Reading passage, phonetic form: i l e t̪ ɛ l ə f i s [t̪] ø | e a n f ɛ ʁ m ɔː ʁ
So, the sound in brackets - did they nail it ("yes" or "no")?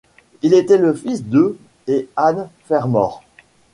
no